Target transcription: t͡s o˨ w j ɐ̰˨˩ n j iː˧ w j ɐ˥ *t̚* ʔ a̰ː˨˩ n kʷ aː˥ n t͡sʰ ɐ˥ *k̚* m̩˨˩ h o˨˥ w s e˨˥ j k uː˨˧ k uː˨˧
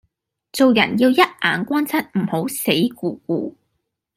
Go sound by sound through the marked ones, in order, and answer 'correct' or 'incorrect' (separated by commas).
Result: correct, incorrect